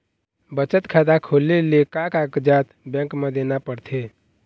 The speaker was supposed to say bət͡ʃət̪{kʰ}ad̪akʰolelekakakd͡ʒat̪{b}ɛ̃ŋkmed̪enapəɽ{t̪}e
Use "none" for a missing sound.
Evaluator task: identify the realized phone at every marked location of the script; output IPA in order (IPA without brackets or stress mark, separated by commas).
kʰ, b, t̪ʰ